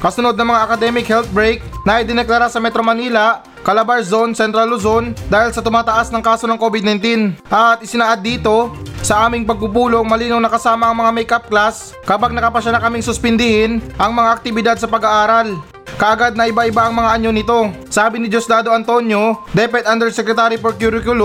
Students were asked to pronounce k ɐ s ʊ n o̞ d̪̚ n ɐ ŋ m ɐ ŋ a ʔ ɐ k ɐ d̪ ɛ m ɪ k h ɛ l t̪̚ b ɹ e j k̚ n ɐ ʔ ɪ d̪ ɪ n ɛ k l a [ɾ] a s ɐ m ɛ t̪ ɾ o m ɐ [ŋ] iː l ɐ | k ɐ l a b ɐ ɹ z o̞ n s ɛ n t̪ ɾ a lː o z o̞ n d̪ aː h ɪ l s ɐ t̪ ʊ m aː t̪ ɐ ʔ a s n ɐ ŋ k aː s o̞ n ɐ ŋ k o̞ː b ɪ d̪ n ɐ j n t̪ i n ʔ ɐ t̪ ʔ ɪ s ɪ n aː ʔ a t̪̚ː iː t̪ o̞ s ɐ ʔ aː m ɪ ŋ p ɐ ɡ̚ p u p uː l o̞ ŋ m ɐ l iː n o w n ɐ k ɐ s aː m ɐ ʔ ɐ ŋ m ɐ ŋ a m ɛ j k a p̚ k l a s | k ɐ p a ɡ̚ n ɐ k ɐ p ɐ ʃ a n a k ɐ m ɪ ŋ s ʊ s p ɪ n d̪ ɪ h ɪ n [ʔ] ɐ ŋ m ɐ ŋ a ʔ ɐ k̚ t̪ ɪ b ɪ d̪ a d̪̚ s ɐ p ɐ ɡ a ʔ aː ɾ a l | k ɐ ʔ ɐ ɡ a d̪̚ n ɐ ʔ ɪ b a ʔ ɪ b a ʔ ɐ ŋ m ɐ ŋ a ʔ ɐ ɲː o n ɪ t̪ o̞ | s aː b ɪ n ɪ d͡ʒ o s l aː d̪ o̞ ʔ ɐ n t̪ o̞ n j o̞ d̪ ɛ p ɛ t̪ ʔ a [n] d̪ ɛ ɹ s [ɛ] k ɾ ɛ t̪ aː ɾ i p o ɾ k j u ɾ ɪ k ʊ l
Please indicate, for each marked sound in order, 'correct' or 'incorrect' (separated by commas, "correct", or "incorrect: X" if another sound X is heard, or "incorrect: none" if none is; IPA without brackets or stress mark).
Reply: correct, incorrect: n, correct, correct, correct